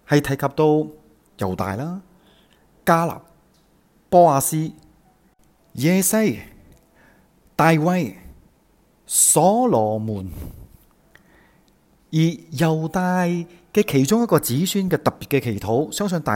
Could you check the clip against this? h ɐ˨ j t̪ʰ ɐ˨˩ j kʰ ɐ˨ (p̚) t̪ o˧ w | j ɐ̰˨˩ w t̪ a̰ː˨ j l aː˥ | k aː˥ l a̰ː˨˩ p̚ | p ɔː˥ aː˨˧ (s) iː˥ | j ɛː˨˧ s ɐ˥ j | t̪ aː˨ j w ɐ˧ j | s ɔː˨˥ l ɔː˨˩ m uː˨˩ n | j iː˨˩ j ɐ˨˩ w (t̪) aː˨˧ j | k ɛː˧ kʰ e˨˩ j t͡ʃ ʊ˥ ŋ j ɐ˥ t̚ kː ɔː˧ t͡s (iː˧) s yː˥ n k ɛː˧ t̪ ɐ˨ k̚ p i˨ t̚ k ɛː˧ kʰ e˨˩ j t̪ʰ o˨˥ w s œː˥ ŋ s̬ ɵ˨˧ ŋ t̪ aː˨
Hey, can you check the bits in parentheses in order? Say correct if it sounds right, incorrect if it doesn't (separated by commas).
correct, correct, correct, incorrect